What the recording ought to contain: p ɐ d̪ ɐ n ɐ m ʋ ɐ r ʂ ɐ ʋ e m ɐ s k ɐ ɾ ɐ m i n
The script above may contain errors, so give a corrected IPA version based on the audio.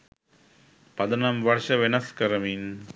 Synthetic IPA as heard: p ɐ d̪ ɐ n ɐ m ʋ ɐ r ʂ ɐ ʋ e n ɐ s k ɐ ɾ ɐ m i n